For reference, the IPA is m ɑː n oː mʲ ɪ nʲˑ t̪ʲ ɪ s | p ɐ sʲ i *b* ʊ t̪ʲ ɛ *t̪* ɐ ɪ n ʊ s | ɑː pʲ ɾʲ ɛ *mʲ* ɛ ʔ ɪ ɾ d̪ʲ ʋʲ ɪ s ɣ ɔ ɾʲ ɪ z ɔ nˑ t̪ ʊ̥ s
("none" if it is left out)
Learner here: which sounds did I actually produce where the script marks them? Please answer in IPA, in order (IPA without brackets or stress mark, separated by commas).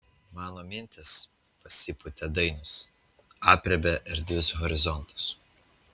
p, d̪, bʲ